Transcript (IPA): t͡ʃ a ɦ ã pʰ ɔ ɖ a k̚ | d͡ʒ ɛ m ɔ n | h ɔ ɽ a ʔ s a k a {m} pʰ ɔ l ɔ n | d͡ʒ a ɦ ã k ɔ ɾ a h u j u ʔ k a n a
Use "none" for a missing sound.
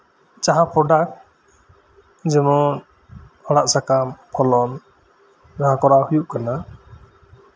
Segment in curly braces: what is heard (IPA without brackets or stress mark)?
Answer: m